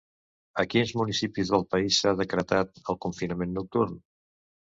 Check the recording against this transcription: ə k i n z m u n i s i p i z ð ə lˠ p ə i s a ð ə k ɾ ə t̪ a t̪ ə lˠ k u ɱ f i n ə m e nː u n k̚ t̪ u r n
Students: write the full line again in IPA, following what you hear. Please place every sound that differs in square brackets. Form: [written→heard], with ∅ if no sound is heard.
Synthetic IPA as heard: ə k i n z m u n i s i p i z ð ə lˠ p ə i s a ð ə k ɾ ə t̪ a t̪ ə lˠ k u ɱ f i n ə m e nː u [n→∅] k̚ t̪ u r n